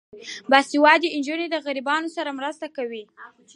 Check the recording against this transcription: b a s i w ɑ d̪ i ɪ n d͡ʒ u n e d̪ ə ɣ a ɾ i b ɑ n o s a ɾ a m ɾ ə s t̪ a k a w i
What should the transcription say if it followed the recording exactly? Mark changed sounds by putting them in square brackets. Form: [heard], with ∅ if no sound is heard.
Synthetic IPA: b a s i w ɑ d̪ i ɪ n d͡ʒ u n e d̪ ə ɣ a ɾ i b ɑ n o s a ɾ a m ɾ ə s t̪ a k a w i